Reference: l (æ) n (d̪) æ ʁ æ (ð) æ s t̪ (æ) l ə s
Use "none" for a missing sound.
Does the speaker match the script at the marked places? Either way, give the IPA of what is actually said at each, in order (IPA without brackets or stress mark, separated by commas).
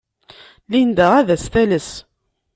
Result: i, d̪, ð, æ